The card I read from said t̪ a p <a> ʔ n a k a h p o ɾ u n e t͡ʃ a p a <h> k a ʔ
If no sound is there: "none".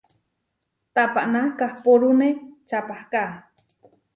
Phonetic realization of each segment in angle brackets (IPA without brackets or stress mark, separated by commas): a, h